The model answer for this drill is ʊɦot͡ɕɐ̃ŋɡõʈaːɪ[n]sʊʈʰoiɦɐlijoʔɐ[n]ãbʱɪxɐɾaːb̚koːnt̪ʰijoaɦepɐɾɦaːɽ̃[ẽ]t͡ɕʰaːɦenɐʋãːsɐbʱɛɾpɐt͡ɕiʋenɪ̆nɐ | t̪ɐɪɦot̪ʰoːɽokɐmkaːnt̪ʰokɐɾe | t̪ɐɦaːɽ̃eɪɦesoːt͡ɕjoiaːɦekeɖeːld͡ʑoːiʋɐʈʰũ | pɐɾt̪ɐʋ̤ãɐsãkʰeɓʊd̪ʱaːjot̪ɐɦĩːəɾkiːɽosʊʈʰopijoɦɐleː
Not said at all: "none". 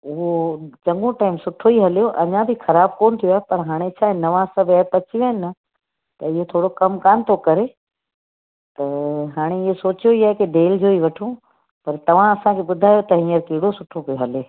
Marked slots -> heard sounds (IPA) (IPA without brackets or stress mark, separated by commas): m, ɲ, e